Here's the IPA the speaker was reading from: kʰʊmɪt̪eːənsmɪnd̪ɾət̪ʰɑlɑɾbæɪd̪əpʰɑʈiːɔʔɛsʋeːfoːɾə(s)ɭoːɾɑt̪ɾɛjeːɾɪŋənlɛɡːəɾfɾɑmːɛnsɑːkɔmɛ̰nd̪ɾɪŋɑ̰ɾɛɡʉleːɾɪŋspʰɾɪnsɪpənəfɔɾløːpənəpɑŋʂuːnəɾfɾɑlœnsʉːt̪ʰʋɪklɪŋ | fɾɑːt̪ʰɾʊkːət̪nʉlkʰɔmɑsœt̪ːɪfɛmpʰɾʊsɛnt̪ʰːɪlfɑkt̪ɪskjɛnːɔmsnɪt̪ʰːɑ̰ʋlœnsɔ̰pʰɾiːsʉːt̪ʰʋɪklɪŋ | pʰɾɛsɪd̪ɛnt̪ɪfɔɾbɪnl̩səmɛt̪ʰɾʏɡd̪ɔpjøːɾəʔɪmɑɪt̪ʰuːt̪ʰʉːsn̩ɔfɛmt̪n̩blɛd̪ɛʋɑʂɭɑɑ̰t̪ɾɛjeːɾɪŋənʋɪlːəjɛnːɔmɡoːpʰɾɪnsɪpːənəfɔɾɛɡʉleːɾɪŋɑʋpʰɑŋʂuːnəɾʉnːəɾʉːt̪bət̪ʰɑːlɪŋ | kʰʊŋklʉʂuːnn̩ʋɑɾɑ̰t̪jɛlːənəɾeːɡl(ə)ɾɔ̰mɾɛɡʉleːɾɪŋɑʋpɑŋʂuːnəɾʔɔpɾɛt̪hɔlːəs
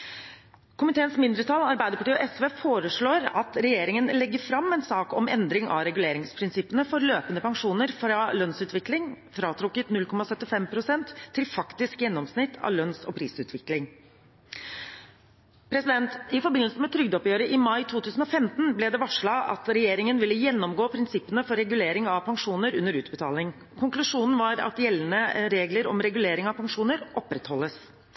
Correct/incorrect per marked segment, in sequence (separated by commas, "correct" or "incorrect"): incorrect, correct